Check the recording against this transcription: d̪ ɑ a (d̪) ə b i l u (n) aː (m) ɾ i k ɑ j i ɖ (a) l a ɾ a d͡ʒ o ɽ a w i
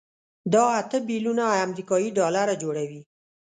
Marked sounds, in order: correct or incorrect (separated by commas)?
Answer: incorrect, correct, correct, incorrect